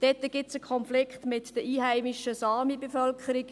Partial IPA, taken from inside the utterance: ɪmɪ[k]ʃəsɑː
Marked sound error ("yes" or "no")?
yes